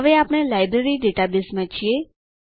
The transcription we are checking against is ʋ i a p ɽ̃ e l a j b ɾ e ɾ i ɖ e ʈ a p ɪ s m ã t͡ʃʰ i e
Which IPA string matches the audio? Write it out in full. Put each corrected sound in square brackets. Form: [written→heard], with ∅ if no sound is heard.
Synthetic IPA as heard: ʋ [i→e] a p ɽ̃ e l a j b ɾ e ɾ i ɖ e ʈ a [p→b] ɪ s m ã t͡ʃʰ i e

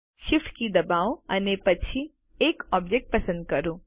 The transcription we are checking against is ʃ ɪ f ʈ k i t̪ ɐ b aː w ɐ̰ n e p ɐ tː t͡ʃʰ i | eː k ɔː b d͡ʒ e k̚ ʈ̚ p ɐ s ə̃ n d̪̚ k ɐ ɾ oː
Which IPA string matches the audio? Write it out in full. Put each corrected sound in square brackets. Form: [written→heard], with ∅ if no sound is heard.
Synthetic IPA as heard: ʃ ɪ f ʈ k i [t̪→d̪] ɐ b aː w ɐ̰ n e p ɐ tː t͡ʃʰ i | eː k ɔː b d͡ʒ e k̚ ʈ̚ p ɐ s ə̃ n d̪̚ k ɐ ɾ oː

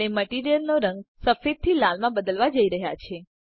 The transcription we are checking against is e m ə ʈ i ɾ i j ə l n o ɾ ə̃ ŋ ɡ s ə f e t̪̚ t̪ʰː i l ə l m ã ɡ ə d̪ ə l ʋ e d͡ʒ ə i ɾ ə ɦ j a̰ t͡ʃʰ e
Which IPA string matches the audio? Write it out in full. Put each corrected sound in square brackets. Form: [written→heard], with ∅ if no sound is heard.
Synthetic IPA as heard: e m ə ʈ i ɾ i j ə l n o ɾ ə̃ ŋ ɡ s ə f e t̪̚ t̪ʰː i l [ə→a] l m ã [ɡ→b] ə d̪ ə l ʋ [e→a] d͡ʒ ə i ɾ ə ɦ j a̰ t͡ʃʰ e

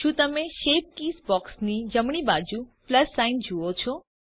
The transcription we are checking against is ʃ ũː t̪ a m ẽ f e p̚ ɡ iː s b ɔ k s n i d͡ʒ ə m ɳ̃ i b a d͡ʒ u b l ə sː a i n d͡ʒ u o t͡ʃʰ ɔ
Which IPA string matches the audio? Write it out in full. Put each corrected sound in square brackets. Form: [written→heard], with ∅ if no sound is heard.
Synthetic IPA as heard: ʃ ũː t̪ [a→ə] m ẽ [f→ʃ] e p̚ [ɡ→k] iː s b ɔ k s n i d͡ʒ ə m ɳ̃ i b a d͡ʒ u [b→p] l ə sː a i n d͡ʒ u o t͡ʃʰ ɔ

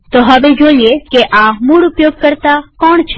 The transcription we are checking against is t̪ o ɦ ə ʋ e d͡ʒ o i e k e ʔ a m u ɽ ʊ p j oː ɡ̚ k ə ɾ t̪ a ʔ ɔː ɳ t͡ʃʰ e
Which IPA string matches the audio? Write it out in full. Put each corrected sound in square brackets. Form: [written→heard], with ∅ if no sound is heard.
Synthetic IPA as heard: t̪ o ɦ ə ʋ e d͡ʒ o i e k e ʔ a m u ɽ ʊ p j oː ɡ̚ k ə ɾ t̪ a [ʔ→k] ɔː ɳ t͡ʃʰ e

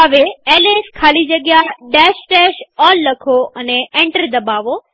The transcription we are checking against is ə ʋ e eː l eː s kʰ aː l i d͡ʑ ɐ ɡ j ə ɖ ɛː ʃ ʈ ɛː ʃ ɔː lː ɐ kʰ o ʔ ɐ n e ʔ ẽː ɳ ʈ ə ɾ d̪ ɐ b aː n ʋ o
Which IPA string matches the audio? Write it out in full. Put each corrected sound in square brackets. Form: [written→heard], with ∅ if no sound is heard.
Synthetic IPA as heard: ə ʋ e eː l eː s kʰ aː l i d͡ʑ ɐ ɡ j [ə→a] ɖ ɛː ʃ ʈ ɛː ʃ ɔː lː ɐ kʰ o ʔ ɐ n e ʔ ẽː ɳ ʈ ə ɾ d̪ ɐ b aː [n→∅] ʋ o

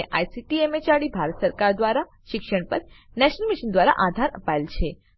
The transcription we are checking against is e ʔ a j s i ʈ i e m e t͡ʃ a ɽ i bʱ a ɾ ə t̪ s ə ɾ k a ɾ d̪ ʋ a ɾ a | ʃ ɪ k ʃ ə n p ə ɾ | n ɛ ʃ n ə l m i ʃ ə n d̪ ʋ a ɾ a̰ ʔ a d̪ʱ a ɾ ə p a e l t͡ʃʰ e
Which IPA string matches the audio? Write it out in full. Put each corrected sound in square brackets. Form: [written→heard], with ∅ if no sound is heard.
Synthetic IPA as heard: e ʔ a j s i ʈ i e m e t͡ʃ a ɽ i bʱ a ɾ ə t̪ s ə ɾ k a ɾ d̪ ʋ a ɾ a | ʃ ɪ k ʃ ə [n→ɳ] p ə ɾ | n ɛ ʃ n ə l m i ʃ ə n d̪ ʋ a ɾ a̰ ʔ a d̪ʱ a ɾ ə p a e l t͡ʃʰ e

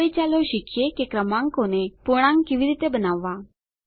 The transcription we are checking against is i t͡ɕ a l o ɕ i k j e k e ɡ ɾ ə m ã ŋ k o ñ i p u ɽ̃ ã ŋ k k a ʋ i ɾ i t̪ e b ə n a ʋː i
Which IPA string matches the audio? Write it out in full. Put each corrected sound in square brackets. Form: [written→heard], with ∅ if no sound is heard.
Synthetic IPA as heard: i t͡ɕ a l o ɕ i k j e k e [ɡ→k] ɾ ə m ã ŋ k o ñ [i→e] p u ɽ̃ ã ŋ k k [a→i] ʋ i ɾ i t̪ e b ə n a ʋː [i→a]

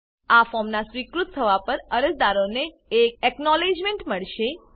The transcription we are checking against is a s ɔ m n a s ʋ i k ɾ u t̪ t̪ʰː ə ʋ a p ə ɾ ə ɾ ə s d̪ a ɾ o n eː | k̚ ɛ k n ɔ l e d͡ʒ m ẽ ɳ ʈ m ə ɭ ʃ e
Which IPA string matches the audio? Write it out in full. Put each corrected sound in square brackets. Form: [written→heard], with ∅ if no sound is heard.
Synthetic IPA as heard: a [s→f] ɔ m n a s ʋ i k ɾ u t̪ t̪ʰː ə ʋ a p ə ɾ ə ɾ ə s d̪ a ɾ o n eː | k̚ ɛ k n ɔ l e d͡ʒ m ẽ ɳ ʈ m ə ɭ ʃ e

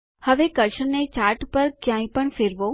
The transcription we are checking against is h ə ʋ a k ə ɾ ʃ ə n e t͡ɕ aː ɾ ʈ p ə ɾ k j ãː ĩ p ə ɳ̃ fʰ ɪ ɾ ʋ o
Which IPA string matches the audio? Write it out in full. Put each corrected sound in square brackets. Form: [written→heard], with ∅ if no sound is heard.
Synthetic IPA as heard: h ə ʋ [a→e] k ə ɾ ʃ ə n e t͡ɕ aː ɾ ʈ p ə ɾ k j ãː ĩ p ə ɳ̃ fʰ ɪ ɾ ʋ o

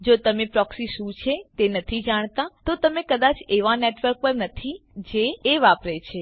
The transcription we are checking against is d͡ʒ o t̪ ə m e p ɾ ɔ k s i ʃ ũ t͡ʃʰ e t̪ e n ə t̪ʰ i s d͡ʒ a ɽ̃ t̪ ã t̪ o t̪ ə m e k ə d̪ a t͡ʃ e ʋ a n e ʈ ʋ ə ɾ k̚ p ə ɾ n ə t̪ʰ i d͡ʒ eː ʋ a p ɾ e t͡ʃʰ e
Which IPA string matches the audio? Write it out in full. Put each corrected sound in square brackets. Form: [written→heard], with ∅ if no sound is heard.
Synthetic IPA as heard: d͡ʒ o t̪ ə m e p ɾ ɔ k s i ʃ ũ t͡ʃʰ e t̪ e n ə t̪ʰ i [s→∅] d͡ʒ a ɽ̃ t̪ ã t̪ o t̪ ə m e k ə d̪ a t͡ʃ e ʋ a n e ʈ ʋ ə ɾ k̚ p ə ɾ n ə t̪ʰ i d͡ʒ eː ʋ a p ɾ e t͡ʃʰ e

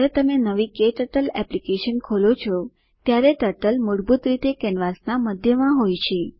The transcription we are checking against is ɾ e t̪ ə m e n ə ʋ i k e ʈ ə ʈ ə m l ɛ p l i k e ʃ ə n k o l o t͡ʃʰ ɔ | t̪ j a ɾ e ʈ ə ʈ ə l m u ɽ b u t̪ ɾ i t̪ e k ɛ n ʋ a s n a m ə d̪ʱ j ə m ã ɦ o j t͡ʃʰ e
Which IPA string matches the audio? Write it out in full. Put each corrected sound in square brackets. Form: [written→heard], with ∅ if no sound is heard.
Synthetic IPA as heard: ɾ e t̪ ə m e n ə ʋ i k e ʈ ə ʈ ə [m→∅] l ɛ p l i k e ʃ ə n [k→kʰ] o l o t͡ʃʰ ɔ | t̪ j a ɾ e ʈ ə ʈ ə l m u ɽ b u t̪ ɾ i t̪ e k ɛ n ʋ a s n a m ə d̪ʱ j ə m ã ɦ o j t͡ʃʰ e

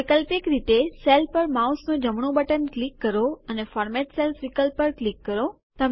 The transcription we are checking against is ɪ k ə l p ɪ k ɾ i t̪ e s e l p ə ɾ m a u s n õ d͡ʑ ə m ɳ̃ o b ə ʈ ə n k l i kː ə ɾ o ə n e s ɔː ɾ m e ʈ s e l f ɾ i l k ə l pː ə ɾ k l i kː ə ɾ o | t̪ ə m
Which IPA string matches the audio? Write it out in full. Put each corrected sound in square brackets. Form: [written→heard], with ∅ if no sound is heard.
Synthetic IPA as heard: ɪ k ə l p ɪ k ɾ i t̪ e s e l p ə ɾ m a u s n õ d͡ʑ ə m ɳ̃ o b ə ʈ ə n k l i kː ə ɾ o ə n e [s→f] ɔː ɾ m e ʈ s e l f ɾ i [l→∅] k ə l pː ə ɾ k l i kː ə ɾ o | t̪ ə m

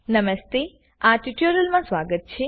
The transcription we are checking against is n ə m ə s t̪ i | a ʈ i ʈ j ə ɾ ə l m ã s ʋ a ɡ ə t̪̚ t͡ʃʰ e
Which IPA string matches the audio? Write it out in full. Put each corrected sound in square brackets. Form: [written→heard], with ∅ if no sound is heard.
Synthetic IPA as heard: n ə m ə s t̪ [i→e] | a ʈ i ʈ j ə ɾ ə l m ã s ʋ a ɡ ə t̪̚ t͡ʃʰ e

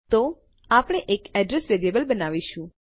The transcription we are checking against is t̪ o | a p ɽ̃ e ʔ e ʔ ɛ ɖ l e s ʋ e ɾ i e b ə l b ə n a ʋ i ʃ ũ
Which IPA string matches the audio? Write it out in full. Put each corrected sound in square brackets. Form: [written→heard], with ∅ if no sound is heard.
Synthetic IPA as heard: t̪ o | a p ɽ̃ e ʔ e [ʔ→k] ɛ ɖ [l→ɾ] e s ʋ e ɾ i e b ə l b ə n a ʋ i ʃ ũ

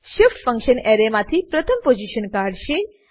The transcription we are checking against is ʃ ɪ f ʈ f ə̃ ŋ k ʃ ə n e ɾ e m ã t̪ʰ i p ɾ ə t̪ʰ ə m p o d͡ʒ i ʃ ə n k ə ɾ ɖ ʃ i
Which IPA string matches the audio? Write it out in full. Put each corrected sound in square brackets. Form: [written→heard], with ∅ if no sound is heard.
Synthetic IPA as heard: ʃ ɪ f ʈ f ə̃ ŋ k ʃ ə n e ɾ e m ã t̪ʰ i p ɾ ə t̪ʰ ə m p o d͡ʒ i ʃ ə n k [ə→a] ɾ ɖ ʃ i

